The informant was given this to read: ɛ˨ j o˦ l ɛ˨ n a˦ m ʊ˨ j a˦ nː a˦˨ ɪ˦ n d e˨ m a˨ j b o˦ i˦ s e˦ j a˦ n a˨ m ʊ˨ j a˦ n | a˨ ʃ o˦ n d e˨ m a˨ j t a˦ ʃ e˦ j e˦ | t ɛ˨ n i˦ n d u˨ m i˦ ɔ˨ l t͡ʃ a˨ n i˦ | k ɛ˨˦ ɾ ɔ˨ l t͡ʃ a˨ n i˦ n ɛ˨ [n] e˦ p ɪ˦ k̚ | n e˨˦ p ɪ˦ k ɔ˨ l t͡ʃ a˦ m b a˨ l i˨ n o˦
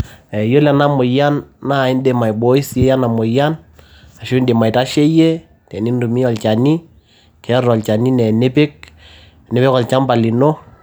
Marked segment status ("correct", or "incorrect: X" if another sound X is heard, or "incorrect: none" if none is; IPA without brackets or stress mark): correct